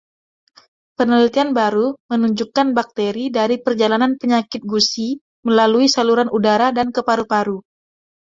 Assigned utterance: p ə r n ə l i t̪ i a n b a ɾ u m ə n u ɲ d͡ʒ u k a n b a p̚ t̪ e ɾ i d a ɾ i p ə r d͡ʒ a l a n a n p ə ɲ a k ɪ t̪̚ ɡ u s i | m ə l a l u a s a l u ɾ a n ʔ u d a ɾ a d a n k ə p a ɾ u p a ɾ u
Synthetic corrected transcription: p ə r n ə l i t̪ i a n b a ɾ u m ə n u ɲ d͡ʒ u k a n b a k̚ t̪ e ɾ i d a ɾ i p ə r d͡ʒ a l a n a n p ə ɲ a k ɪ t̪̚ ɡ u s i | m ə l a l u i s a l u ɾ a n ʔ u d a ɾ a d a n k ə p a ɾ u p a ɾ u